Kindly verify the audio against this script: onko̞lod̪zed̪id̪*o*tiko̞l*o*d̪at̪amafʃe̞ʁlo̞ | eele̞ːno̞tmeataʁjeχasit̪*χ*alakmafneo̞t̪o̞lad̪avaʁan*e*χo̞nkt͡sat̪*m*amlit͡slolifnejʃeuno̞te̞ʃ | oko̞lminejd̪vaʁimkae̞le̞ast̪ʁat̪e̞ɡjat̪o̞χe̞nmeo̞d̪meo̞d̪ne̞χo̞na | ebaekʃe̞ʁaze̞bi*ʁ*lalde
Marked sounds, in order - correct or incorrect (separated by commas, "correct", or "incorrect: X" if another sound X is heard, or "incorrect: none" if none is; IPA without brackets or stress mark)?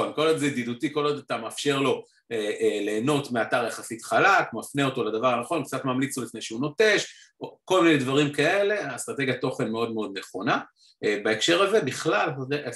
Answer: incorrect: u, correct, correct, incorrect: a, correct, incorrect: χ